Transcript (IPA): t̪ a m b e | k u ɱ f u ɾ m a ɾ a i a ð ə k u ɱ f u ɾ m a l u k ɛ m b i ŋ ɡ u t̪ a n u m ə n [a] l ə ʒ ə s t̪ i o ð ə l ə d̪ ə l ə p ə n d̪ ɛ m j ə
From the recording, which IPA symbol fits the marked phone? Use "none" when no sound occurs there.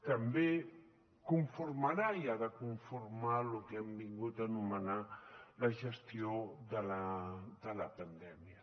a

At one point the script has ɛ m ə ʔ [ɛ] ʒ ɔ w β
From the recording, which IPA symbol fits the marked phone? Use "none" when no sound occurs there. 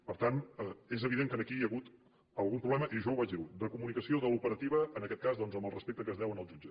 i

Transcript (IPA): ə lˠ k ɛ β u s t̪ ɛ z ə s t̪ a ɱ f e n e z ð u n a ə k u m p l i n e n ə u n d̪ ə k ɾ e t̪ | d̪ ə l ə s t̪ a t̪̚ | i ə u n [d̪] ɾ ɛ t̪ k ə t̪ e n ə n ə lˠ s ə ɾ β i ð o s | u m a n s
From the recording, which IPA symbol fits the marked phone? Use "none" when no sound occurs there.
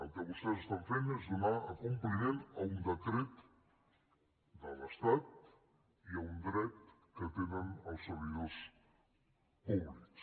d̪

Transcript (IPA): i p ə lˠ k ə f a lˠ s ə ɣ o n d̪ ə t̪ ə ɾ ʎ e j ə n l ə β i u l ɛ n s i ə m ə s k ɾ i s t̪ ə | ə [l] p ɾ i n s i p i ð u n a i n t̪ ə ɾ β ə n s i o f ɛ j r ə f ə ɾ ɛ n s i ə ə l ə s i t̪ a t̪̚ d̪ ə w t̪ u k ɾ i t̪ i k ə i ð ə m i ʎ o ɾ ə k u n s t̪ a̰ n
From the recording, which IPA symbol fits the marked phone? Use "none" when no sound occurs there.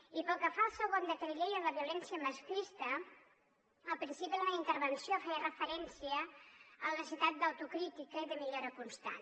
l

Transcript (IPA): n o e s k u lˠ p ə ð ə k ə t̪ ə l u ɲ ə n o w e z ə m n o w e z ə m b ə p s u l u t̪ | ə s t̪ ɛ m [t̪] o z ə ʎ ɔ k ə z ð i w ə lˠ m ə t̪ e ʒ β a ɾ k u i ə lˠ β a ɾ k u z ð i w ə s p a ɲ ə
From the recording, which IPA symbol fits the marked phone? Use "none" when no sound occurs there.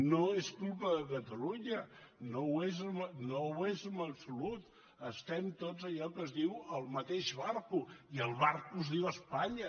t̪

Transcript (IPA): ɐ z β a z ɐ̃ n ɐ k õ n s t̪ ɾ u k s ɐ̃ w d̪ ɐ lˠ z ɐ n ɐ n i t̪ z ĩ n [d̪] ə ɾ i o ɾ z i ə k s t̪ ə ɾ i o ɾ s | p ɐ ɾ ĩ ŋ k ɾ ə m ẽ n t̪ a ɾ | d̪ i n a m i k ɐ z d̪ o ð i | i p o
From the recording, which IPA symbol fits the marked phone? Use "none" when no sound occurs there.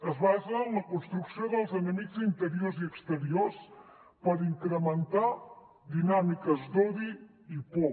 t̪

